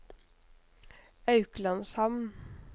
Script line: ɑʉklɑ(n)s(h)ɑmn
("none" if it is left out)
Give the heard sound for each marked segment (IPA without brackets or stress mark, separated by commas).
n, h